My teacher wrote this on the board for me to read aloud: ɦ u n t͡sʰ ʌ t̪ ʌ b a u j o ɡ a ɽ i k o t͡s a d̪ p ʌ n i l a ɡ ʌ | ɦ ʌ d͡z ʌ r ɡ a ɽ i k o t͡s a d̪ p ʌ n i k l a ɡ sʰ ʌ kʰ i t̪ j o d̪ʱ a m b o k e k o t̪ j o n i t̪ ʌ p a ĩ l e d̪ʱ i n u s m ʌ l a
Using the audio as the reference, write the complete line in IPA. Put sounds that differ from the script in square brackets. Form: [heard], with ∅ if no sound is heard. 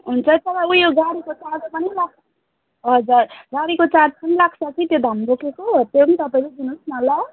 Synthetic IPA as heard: ɦ u n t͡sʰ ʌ t̪ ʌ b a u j o ɡ a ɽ i k o t͡s a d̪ p ʌ n i l a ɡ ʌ | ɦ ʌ d͡z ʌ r ɡ a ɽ i k o t͡s a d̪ p ʌ n i [∅] l a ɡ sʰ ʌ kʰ i t̪ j o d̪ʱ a m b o k e k o t̪ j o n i t̪ ʌ p a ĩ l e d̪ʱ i n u s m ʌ l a